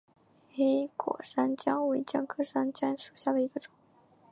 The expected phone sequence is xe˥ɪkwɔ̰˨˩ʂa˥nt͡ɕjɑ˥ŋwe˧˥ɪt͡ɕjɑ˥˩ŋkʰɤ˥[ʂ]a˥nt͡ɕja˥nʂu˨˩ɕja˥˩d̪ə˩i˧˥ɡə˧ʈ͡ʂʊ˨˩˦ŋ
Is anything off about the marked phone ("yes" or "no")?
no